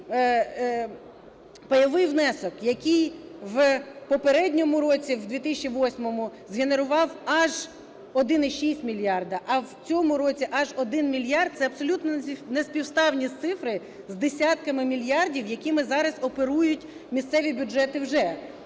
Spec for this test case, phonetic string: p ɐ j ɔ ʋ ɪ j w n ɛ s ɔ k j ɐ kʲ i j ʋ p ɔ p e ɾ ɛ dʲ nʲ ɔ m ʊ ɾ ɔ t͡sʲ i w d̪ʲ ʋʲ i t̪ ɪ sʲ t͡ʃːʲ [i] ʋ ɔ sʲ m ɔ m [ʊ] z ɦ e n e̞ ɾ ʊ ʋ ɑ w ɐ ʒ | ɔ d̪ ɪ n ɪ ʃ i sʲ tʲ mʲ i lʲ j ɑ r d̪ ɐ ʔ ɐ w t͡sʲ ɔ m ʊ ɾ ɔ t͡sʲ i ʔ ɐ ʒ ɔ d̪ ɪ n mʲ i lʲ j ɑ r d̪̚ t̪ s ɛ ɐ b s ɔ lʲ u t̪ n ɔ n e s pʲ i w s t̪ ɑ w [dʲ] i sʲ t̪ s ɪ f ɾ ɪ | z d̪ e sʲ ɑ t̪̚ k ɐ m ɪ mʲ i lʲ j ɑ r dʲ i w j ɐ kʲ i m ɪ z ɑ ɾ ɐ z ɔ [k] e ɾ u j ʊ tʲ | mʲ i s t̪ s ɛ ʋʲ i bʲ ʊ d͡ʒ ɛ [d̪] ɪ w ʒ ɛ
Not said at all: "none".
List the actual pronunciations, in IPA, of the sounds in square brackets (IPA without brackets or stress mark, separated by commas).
i, ʊ, nʲ, p, t̪